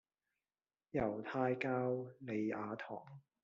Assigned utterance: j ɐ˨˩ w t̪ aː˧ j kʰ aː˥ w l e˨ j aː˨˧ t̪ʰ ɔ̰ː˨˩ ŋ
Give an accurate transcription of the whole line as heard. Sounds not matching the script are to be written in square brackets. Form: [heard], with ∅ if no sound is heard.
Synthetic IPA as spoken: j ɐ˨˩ w [t̪ʰ] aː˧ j [k] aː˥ w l e˨ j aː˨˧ t̪ʰ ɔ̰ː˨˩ ŋ